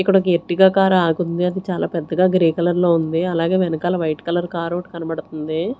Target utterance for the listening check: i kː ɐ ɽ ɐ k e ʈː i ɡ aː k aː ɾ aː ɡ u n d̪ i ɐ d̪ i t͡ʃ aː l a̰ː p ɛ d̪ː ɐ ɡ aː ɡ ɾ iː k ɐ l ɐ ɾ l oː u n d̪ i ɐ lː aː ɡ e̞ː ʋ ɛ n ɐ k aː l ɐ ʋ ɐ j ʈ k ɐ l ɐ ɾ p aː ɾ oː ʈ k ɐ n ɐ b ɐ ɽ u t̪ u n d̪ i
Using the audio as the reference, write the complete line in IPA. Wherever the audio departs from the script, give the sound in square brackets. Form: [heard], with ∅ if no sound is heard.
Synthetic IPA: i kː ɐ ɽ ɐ k e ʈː i ɡ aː k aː ɾ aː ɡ u n d̪ i ɐ d̪ i t͡ʃ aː l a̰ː p ɛ d̪ː ɐ ɡ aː ɡ ɾ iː k ɐ l ɐ ɾ l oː u n d̪ i ɐ [l] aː ɡ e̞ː ʋ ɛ n ɐ k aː l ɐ ʋ ɐ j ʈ k ɐ l ɐ ɾ [k] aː ɾ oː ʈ k ɐ n ɐ b ɐ ɽ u t̪ u n d̪ i